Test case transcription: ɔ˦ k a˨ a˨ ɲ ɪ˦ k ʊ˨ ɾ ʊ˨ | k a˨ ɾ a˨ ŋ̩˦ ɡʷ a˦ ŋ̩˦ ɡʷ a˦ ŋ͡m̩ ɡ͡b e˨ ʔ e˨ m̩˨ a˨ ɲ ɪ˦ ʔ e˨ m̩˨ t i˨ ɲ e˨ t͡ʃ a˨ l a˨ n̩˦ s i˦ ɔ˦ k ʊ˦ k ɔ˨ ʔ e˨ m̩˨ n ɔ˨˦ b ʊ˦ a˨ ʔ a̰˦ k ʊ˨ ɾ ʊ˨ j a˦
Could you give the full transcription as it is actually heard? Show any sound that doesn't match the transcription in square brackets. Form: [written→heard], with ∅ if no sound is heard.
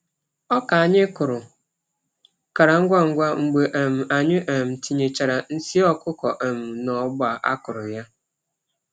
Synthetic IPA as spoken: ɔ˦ k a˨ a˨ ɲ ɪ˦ k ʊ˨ ɾ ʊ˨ | k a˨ ɾ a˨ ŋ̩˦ ɡʷ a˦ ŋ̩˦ ɡʷ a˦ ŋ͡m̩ ɡ͡b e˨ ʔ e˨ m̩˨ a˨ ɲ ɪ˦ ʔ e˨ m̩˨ t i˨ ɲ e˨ t͡ʃ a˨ [l→ɾ] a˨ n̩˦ s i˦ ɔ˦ k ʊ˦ k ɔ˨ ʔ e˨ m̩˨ n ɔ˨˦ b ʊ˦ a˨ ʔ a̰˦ k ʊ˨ ɾ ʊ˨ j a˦